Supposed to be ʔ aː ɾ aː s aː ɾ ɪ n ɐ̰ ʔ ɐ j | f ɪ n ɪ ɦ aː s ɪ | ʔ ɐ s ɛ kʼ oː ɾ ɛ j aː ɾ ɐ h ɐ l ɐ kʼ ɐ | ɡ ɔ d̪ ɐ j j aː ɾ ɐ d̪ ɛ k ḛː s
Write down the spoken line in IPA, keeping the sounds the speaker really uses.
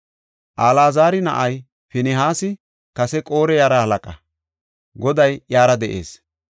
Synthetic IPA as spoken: ʔ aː l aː z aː ɾ ɪ n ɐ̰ ʔ ɐ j | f ɪ n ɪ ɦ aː s ɪ | k ɐ s ɛ kʼ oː ɾ ɛ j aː ɾ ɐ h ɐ l ɐ kʼ ɐ | ɡ ɔ d̪ ɐ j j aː ɾ ɐ d̪ ɛ ʔ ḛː s